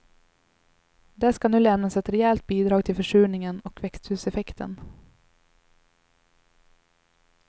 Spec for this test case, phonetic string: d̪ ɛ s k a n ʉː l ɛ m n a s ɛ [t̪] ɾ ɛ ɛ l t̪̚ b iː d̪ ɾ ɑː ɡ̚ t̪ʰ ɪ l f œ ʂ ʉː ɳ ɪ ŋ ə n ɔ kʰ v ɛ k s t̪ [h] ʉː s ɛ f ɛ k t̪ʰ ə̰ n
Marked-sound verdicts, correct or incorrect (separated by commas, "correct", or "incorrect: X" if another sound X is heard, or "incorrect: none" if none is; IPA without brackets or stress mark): correct, correct